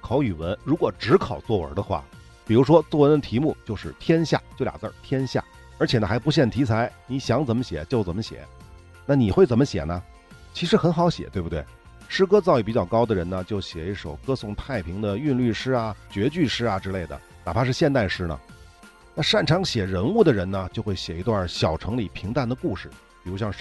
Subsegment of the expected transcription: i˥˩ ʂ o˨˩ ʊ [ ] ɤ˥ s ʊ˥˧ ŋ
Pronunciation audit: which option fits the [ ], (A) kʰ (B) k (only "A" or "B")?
B